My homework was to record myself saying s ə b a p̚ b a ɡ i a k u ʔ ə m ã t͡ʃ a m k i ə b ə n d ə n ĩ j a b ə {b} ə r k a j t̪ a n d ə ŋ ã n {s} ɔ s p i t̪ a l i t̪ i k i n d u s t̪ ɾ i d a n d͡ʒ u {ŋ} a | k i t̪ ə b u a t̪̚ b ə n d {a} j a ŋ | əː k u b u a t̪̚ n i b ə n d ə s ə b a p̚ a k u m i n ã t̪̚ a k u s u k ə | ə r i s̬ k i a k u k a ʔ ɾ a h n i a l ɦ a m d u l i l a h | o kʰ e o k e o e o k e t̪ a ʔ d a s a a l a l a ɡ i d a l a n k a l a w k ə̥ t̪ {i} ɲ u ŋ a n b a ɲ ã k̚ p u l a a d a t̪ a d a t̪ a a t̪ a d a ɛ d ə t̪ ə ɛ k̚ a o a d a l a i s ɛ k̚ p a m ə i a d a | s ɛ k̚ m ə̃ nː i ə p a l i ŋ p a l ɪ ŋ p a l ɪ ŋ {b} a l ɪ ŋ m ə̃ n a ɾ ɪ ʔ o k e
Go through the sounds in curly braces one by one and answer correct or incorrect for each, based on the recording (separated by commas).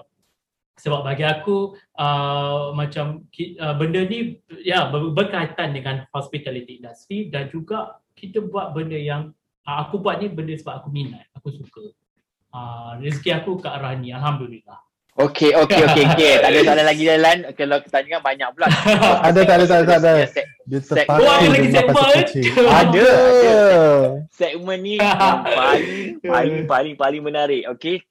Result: correct, incorrect, incorrect, incorrect, incorrect, incorrect